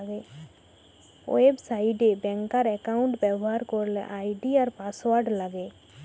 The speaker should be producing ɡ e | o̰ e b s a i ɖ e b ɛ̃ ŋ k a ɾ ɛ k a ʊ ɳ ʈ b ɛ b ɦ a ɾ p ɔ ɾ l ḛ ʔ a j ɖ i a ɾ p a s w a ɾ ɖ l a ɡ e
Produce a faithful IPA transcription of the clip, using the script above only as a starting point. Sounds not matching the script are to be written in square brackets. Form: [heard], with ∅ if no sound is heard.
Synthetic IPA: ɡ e | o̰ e b s a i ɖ e b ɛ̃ ŋ k a ɾ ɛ k a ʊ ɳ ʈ b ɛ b ɦ a ɾ [k] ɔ ɾ l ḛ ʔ a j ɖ i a ɾ p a s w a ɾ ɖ l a ɡ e